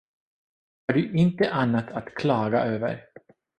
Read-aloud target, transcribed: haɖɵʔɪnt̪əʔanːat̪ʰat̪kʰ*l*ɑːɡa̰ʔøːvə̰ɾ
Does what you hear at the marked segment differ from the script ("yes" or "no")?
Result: no